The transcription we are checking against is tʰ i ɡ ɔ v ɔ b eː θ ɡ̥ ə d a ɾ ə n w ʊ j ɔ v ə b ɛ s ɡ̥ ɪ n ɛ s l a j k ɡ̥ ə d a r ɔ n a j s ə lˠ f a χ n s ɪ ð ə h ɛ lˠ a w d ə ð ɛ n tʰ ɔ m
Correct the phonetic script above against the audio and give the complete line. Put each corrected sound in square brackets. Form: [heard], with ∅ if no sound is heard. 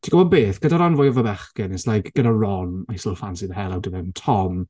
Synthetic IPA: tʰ i ɡ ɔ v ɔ b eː θ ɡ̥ ə d a ɾ [a] n [v] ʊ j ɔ v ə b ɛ [χ] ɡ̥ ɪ n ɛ s l a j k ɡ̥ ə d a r ɔ n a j s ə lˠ f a [∅] n s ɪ ð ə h ɛ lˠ a w d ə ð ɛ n tʰ ɔ m